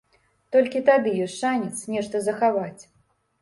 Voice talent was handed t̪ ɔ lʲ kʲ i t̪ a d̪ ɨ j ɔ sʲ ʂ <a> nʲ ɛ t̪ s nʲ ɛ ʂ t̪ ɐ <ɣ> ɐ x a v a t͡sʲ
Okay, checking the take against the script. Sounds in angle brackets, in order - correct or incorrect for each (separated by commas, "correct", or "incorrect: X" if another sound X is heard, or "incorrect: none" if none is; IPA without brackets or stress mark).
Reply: correct, incorrect: z